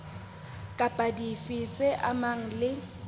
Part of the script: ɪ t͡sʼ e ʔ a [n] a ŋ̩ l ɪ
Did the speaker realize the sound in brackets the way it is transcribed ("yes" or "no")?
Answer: no